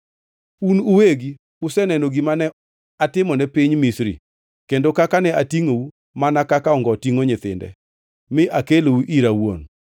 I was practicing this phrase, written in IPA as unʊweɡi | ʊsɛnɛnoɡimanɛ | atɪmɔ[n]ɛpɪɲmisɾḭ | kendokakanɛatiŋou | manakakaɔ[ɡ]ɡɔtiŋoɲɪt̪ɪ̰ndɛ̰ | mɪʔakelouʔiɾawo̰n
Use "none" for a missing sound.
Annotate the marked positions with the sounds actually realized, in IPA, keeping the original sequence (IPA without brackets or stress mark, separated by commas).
n, ŋ